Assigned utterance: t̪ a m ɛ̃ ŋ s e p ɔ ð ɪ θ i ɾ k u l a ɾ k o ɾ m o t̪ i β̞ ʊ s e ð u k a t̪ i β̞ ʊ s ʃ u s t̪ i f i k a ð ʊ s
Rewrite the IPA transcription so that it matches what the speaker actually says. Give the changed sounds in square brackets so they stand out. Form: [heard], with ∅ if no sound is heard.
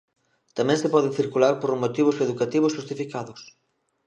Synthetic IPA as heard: t̪ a m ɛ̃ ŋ s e p ɔ ð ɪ θ i ɾ k u l a ɾ [p] o ɾ m o t̪ i β̞ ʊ s e ð u k a t̪ i β̞ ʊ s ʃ u s t̪ i f i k a ð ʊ s